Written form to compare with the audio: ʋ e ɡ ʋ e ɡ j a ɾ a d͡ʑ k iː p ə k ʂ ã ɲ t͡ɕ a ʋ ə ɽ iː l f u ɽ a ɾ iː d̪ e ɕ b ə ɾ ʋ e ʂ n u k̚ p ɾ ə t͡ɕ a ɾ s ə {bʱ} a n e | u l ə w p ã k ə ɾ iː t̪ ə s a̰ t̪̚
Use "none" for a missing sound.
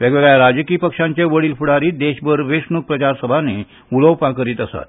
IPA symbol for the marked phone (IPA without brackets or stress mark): bʱ